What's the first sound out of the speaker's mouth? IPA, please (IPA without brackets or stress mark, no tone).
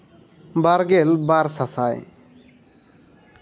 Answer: b